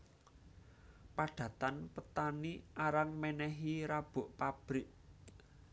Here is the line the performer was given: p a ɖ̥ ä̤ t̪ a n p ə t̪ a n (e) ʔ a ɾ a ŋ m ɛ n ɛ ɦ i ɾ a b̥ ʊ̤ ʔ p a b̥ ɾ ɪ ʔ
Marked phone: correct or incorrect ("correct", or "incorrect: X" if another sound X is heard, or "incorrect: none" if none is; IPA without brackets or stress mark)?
incorrect: i